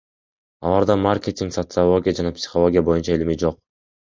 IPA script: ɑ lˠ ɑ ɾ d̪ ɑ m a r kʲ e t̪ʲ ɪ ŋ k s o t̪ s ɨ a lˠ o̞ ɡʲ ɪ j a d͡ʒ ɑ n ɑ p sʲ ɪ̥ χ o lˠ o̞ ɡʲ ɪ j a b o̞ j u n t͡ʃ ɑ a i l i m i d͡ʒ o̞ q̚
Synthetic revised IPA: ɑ lˠ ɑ ɾ d̪ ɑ m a r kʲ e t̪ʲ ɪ ŋ k s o t̪ s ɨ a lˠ o̞ ɡʲ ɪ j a d͡ʒ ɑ n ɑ p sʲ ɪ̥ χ o lˠ o̞ ɡʲ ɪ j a b o̞ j u n t͡ʃ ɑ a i l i m i d͡ʒ o̞ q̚